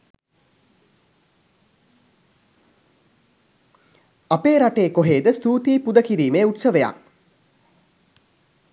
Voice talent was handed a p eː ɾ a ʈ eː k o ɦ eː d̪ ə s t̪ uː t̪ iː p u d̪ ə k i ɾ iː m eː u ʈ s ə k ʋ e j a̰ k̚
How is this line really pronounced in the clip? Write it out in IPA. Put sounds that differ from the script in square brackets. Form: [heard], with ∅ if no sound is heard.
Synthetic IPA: a p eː ɾ a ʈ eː k o ɦ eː d̪ ə s t̪ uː t̪ iː p u d̪ ə k i ɾ iː m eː u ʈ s ə [∅] ʋ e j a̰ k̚